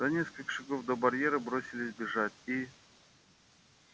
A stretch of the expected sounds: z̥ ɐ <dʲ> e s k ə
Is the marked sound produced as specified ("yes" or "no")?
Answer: no